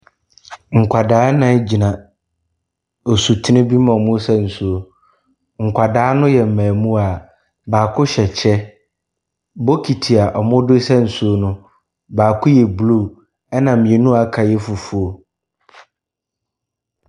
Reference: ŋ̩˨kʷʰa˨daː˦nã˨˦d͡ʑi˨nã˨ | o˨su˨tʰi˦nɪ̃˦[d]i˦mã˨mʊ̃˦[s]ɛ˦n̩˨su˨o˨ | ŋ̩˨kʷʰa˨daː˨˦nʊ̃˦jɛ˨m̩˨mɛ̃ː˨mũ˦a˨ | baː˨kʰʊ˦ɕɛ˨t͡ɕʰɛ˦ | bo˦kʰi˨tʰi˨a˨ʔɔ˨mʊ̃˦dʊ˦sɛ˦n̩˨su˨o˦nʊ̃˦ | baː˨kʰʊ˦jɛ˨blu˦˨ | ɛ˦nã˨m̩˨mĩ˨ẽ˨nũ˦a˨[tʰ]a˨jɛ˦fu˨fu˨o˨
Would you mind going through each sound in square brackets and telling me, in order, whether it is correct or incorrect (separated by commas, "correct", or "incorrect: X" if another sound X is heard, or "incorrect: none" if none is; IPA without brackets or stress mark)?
incorrect: b, correct, incorrect: kʰ